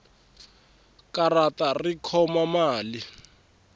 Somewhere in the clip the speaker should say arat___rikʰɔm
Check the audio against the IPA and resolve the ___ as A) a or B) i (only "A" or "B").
A